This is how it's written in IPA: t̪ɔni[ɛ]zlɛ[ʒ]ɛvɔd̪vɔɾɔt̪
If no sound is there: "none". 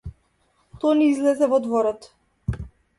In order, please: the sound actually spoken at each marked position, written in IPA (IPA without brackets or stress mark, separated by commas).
i, z